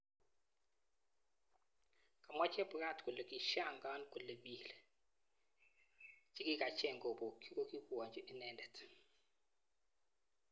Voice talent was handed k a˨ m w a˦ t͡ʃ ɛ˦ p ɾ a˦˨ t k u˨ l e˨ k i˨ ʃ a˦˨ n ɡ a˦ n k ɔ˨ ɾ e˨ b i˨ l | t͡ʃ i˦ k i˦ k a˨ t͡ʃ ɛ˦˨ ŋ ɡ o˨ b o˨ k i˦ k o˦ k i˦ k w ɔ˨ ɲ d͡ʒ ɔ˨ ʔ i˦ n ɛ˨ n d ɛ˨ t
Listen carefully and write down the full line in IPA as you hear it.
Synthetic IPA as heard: k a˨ m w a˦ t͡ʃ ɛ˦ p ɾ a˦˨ t k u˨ l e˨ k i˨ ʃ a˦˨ ŋ ɡ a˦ n k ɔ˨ l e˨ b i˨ l | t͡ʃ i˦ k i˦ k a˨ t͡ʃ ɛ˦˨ ŋ ɡ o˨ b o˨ k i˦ k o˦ k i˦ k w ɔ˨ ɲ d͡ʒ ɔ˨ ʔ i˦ n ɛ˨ n d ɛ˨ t